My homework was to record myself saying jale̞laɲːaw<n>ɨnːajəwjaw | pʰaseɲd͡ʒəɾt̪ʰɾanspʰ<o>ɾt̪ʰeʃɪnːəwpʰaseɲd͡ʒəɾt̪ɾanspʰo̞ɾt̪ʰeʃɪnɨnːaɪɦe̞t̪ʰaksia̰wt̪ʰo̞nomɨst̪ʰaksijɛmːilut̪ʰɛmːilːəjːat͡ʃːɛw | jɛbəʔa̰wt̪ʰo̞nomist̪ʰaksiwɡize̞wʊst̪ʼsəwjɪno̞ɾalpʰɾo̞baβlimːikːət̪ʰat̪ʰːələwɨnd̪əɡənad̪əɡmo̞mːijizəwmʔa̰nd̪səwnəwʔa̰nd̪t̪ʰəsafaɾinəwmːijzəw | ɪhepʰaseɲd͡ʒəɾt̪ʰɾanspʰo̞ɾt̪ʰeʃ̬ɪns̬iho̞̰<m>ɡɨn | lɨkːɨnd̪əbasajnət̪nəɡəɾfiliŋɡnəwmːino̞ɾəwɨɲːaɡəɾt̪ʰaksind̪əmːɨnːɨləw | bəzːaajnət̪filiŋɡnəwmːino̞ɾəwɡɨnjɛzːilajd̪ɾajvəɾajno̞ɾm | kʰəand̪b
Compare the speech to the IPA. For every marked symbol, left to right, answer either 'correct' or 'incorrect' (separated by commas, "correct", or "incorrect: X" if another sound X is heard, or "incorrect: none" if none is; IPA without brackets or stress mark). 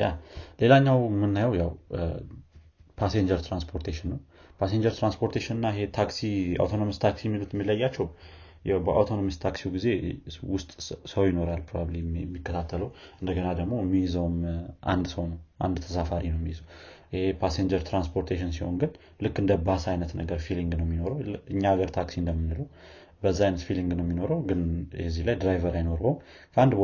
incorrect: m, correct, incorrect: n